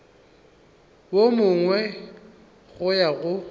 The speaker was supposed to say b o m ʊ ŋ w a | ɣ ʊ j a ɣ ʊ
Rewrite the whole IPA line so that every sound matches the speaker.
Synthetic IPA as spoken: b o m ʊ ŋ w ɛ | ɣ ʊ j a ɣ ʊ